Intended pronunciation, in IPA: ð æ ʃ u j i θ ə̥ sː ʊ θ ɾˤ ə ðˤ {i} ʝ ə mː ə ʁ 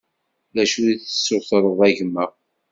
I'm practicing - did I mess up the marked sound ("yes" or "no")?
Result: yes